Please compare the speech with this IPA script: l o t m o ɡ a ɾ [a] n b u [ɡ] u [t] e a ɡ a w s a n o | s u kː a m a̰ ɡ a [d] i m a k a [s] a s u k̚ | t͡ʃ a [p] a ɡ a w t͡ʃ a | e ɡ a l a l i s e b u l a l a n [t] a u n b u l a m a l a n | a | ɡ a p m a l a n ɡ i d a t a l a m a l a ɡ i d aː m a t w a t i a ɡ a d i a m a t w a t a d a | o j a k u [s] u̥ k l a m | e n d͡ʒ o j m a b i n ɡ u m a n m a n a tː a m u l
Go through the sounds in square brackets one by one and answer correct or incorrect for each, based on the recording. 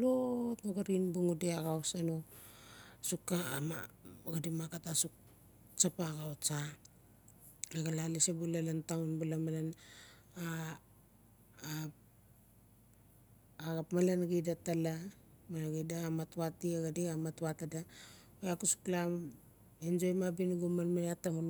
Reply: incorrect: i, incorrect: ŋ, incorrect: d, correct, incorrect: t, correct, correct, correct

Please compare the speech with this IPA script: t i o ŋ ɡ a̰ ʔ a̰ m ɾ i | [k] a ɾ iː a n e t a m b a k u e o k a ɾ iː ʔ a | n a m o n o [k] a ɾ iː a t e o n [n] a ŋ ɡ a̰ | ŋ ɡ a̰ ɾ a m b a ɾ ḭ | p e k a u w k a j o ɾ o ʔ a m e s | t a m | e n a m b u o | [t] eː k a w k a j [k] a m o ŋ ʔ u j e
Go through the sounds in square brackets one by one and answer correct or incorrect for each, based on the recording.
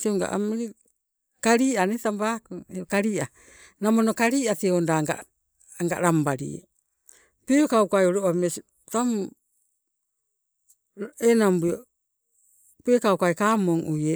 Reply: correct, correct, incorrect: d, incorrect: p, correct

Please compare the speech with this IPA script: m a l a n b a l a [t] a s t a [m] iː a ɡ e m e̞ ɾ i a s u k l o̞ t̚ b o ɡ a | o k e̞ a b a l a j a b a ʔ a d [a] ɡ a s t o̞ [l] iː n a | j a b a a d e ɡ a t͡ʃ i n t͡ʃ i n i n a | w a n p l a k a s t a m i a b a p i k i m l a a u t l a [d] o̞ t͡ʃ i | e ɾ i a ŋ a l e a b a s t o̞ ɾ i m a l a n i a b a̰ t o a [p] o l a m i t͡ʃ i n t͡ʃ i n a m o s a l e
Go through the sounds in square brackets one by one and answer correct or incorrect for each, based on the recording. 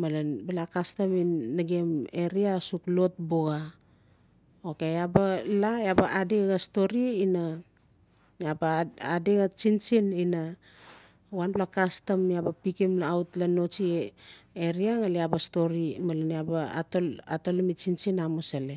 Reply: incorrect: k, correct, incorrect: e, incorrect: ɾ, incorrect: n, incorrect: t

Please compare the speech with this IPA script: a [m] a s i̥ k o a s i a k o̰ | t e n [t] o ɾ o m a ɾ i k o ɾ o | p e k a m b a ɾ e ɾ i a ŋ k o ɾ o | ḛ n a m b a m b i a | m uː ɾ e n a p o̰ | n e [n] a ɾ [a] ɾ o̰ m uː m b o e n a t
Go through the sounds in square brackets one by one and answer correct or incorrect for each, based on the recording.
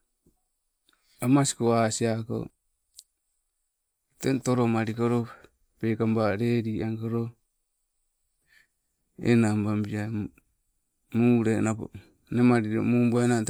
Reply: correct, correct, incorrect: m, incorrect: i

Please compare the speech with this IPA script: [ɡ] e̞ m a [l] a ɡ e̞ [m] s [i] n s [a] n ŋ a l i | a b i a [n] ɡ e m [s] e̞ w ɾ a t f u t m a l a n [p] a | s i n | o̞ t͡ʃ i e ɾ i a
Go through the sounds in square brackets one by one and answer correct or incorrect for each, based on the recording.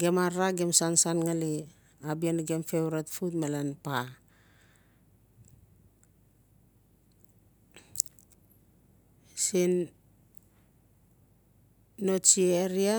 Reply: correct, incorrect: ɾ, correct, incorrect: a, correct, correct, incorrect: f, correct

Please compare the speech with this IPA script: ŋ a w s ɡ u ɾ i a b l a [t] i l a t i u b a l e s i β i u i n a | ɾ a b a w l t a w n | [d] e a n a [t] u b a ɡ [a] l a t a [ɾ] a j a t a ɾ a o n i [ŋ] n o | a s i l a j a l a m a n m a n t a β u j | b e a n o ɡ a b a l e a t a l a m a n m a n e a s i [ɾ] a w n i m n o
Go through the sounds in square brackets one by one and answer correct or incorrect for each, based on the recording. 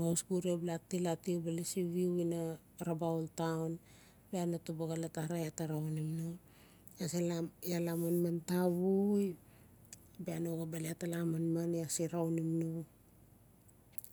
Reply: correct, incorrect: b, correct, correct, correct, incorrect: m, correct

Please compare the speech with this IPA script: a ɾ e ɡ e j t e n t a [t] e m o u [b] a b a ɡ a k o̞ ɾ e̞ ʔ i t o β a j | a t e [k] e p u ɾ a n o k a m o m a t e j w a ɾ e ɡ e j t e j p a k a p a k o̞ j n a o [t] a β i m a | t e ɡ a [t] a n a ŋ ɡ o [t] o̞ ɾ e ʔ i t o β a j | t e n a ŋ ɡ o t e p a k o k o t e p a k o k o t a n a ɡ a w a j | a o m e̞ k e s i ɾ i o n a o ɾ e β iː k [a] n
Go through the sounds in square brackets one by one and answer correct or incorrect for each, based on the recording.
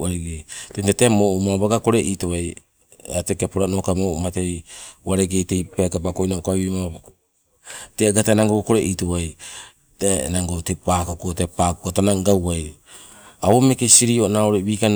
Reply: correct, incorrect: m, correct, incorrect: k, correct, incorrect: k, correct

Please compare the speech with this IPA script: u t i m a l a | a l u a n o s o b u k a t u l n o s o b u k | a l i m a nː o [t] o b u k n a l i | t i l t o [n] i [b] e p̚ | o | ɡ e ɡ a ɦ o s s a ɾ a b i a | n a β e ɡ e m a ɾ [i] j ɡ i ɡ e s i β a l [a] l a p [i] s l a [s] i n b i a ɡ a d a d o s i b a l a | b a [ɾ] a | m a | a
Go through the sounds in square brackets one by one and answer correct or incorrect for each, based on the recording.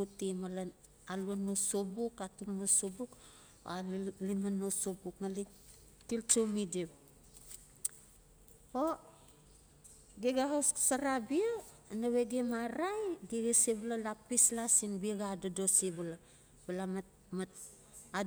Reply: incorrect: s, incorrect: m, incorrect: d, incorrect: a, correct, correct, correct, incorrect: l

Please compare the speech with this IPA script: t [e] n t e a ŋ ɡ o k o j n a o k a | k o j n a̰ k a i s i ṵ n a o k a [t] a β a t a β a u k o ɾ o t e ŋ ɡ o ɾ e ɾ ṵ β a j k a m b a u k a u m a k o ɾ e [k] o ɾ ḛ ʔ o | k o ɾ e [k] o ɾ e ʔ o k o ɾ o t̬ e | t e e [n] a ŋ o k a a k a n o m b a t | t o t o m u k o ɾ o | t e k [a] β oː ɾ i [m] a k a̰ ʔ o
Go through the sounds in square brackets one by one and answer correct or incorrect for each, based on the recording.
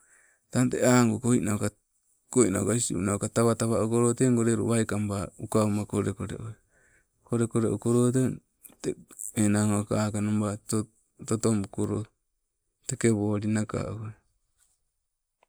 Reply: incorrect: a, correct, correct, correct, correct, incorrect: e, incorrect: n

